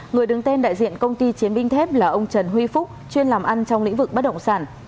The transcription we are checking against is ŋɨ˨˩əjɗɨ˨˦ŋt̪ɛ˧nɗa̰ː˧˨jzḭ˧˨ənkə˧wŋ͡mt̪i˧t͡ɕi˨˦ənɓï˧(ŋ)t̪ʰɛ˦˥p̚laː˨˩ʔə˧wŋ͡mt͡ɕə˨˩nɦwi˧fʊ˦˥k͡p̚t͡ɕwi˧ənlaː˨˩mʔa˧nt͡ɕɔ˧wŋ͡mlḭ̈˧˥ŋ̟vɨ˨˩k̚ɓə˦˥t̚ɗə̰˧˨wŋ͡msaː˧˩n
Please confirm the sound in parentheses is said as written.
yes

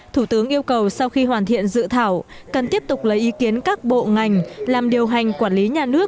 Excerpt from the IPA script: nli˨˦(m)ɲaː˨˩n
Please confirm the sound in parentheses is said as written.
no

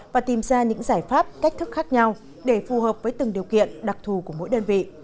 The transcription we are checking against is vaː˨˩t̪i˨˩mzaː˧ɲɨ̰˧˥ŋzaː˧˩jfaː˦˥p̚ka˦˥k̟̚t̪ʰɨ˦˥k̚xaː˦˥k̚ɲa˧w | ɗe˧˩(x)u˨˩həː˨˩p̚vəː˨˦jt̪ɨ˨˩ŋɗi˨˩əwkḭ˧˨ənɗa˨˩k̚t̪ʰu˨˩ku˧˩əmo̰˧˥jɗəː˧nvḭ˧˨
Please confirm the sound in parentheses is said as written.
no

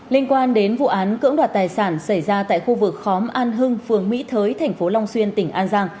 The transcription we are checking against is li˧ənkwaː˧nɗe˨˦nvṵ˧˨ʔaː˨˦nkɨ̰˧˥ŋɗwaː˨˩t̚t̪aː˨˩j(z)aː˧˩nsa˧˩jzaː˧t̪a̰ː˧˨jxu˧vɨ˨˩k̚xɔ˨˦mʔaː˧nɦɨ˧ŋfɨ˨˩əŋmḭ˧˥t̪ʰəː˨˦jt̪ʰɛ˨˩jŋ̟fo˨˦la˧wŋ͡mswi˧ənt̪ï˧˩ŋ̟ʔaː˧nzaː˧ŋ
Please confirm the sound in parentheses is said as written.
no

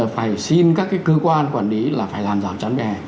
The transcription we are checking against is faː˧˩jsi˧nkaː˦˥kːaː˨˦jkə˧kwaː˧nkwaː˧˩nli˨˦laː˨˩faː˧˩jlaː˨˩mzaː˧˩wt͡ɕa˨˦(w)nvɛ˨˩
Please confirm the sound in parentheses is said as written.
no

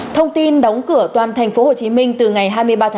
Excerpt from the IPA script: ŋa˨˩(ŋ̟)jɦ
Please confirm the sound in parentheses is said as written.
no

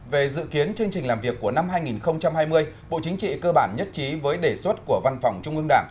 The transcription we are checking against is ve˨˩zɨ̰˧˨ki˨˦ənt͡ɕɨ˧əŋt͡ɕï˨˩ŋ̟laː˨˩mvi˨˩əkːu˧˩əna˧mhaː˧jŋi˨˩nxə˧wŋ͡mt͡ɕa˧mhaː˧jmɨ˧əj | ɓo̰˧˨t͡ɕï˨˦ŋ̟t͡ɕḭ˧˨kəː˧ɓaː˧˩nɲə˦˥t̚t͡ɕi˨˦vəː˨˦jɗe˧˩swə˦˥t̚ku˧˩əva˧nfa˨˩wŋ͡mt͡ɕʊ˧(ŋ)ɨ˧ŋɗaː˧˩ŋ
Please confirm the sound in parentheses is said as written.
no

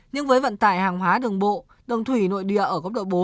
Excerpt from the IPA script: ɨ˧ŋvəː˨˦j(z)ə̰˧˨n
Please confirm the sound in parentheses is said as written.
no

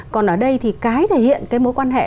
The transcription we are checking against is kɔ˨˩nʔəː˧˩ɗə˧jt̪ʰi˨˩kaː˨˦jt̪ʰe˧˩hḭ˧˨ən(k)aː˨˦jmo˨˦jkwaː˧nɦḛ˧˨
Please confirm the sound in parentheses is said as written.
yes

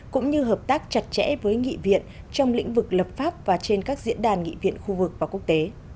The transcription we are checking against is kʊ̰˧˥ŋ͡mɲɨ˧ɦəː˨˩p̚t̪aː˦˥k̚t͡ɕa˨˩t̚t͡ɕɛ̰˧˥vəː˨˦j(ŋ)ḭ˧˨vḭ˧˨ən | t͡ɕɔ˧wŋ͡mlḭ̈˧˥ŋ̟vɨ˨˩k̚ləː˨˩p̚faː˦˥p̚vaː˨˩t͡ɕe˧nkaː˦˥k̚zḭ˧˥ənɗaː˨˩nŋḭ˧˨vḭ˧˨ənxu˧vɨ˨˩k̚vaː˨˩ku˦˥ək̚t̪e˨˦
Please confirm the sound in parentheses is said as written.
yes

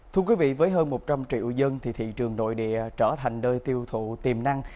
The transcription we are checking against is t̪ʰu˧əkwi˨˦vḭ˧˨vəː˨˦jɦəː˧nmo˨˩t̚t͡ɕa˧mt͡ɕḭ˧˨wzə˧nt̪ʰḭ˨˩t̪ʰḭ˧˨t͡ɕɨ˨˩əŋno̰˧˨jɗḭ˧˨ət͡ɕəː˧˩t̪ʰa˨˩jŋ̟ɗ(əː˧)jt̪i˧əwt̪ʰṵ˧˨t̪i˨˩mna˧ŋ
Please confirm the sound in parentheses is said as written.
yes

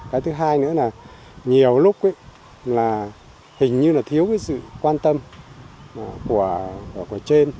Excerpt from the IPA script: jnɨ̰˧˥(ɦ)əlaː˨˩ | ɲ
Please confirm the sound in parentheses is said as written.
no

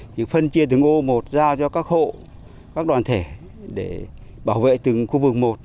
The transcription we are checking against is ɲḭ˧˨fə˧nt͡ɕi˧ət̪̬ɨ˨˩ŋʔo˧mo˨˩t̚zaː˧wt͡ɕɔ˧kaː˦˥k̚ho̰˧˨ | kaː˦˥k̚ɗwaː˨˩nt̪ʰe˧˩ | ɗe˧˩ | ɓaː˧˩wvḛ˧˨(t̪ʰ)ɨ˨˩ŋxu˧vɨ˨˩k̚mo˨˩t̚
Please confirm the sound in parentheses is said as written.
no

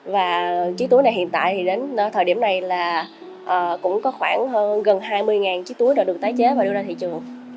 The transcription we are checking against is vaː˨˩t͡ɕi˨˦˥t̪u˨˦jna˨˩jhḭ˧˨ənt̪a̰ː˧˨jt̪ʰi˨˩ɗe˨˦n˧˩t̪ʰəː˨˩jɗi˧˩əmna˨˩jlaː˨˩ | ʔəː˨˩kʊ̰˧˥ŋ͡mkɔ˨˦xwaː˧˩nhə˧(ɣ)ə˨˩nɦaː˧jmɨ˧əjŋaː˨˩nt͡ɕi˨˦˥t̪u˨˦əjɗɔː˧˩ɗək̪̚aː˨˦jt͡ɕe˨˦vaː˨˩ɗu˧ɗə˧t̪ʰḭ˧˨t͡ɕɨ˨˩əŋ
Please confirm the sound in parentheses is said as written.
yes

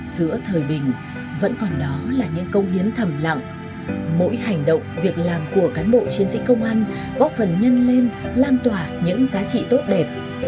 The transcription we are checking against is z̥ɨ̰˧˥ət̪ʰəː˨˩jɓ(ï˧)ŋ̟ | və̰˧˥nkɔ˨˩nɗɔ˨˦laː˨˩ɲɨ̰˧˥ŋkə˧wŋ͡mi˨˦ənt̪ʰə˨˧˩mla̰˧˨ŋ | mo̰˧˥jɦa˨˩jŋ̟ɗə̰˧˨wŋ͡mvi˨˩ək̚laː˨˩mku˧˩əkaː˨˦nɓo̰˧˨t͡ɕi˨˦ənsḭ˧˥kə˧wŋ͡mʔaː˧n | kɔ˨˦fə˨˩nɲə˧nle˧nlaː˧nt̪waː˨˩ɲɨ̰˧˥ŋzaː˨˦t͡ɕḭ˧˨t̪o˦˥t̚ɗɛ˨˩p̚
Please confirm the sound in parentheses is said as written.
no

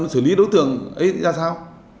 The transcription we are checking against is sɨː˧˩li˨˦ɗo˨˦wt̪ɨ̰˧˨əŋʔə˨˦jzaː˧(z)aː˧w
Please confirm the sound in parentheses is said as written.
no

